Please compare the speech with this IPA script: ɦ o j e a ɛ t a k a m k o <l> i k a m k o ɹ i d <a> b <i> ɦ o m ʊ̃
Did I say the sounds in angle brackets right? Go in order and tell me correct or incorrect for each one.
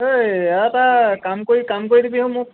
incorrect: ɹ, incorrect: i, correct

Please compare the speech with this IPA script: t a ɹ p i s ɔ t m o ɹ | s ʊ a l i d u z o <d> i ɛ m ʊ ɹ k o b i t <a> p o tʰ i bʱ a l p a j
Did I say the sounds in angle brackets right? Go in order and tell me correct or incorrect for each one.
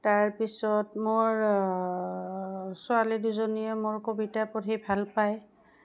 incorrect: n, correct

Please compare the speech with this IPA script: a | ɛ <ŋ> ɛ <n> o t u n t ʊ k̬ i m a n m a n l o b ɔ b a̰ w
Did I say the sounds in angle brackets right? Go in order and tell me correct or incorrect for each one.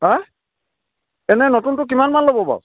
incorrect: n, correct

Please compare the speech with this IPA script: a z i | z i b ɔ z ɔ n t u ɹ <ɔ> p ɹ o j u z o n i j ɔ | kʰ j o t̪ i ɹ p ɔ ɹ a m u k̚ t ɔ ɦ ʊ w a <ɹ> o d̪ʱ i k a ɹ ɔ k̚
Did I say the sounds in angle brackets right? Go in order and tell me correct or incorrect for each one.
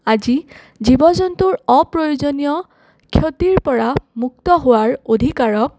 correct, correct

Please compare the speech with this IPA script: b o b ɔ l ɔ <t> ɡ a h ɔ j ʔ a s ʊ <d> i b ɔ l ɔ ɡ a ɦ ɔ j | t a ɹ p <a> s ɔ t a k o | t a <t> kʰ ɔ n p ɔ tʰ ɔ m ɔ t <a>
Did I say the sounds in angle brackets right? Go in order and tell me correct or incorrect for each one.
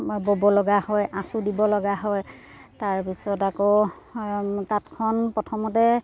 incorrect: none, correct, incorrect: i, correct, incorrect: ɛ

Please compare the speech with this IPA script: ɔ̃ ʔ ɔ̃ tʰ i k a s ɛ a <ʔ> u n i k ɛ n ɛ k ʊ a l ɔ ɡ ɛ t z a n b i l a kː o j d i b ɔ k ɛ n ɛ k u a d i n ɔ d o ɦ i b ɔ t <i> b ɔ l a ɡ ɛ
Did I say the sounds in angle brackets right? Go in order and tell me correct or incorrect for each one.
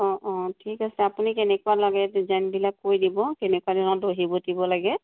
incorrect: p, correct

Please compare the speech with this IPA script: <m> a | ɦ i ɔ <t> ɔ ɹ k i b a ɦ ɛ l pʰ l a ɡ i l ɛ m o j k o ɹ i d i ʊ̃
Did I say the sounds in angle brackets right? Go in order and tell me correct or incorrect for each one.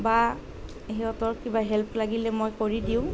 incorrect: b, correct

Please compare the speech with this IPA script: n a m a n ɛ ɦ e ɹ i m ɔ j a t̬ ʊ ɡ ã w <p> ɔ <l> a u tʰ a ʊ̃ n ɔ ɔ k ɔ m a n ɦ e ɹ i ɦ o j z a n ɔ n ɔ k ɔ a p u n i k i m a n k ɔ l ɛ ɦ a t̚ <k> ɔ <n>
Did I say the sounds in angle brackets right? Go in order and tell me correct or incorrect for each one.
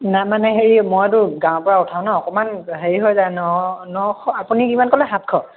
correct, incorrect: ɹ, incorrect: kʰ, incorrect: none

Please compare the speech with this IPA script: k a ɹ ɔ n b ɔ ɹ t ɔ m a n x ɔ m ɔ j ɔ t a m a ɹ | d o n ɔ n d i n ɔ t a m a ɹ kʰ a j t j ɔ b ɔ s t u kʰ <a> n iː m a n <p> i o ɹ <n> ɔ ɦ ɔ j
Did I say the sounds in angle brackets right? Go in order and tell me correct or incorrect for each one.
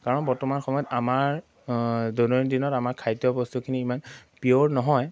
incorrect: i, correct, correct

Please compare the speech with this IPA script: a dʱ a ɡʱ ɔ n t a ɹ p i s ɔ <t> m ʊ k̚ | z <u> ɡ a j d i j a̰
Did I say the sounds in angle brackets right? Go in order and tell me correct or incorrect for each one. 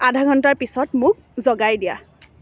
correct, incorrect: ɔ

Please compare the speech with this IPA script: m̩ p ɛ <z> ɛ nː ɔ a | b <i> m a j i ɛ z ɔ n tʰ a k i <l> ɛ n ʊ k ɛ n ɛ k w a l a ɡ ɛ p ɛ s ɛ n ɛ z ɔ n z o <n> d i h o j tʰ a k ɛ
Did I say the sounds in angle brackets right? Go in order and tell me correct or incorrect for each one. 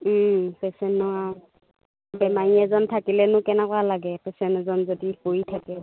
incorrect: s, incorrect: ɛ, correct, incorrect: none

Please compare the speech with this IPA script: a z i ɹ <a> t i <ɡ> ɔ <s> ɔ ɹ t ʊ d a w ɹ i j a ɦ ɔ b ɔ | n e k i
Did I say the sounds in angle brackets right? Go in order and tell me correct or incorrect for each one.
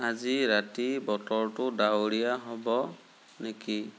correct, incorrect: b, incorrect: t

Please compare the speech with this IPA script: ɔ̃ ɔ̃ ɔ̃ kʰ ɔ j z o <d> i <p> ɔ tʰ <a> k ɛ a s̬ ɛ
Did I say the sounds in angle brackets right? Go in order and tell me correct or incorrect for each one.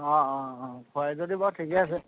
correct, incorrect: b, incorrect: i

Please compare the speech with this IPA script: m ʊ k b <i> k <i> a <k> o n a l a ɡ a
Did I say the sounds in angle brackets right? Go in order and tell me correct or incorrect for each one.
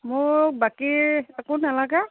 incorrect: a, correct, correct

